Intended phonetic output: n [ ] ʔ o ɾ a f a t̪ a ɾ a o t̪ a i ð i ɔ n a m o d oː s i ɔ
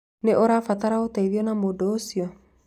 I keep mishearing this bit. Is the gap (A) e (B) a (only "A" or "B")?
A